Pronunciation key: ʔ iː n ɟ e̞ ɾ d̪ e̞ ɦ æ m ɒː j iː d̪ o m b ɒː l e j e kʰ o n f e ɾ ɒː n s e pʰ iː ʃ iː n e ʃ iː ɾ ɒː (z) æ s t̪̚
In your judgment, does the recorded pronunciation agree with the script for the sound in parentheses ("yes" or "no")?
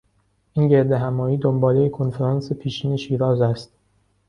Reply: yes